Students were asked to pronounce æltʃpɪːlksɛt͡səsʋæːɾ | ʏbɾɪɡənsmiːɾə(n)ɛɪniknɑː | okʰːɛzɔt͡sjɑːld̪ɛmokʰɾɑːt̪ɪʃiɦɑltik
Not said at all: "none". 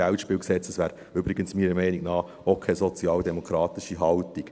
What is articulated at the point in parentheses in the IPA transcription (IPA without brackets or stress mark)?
m